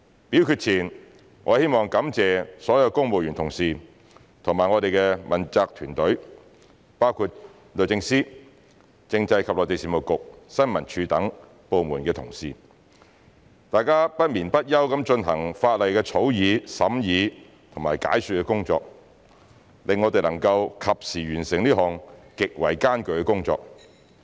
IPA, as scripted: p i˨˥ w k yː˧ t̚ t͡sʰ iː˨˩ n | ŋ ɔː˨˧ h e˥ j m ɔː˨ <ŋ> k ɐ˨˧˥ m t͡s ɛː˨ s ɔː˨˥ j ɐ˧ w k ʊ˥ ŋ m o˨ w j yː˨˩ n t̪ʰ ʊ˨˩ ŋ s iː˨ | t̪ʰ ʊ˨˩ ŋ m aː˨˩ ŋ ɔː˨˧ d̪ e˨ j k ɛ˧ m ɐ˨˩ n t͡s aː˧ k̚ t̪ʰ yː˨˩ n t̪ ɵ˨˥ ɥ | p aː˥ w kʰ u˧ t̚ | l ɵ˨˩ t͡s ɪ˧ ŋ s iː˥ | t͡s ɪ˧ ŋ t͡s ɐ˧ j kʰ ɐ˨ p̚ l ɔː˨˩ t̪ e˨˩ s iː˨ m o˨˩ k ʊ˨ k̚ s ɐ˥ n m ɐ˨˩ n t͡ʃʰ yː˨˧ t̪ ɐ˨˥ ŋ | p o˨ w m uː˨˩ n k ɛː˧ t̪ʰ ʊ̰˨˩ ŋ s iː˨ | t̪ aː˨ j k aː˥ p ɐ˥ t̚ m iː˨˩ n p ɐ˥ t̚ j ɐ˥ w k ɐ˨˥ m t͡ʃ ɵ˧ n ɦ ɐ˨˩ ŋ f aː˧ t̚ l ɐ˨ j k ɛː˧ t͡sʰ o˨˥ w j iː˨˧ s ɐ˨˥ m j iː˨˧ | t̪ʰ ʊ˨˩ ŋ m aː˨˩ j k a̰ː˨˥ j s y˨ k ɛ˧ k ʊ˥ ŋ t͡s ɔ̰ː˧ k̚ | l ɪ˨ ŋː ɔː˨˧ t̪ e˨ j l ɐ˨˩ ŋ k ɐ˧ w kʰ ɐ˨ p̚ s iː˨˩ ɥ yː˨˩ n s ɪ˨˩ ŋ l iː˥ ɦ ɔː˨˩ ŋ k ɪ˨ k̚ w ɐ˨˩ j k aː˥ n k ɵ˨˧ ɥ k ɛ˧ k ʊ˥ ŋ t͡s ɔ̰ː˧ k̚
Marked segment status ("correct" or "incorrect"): correct